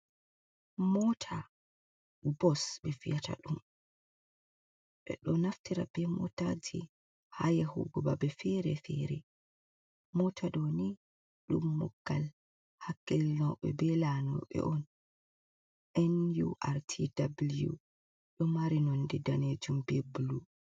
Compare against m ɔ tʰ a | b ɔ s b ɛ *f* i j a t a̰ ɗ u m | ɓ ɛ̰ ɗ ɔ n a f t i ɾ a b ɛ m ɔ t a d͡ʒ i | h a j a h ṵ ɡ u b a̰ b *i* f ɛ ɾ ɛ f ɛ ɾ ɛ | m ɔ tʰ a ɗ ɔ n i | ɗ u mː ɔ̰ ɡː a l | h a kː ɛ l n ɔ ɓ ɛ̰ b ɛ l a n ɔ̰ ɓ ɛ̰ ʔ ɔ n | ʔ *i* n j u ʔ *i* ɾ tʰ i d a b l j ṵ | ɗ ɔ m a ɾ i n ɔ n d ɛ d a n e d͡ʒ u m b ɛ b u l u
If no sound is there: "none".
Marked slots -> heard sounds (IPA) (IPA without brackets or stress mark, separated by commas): f, ɛ, ɛ, a